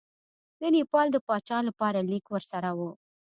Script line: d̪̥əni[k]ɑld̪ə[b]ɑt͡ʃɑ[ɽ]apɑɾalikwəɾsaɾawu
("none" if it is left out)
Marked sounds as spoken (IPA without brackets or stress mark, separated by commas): p, p, l